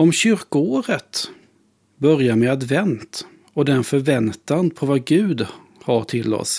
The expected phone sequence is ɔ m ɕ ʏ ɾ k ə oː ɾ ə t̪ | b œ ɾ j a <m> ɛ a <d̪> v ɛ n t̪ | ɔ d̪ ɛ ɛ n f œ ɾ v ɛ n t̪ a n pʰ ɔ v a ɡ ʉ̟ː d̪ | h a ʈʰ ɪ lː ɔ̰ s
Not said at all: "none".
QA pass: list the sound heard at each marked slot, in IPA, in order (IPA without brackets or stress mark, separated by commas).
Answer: m, d̪